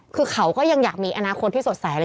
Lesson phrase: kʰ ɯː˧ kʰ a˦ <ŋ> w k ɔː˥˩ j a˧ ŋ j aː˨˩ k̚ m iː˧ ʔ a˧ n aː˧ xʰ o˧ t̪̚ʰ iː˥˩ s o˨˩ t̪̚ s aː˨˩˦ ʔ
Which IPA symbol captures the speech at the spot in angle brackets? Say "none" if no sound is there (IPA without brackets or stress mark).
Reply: none